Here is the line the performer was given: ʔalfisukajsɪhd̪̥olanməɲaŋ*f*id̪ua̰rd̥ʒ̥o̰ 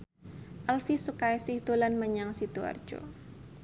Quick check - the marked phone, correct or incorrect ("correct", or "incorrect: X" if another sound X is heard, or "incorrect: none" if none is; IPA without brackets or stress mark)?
incorrect: s